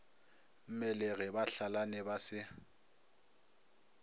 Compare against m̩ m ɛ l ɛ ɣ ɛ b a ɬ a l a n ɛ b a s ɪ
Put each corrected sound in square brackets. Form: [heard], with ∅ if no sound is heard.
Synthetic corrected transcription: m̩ m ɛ l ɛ ɣ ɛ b a ɬ a l a n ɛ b a s ɪ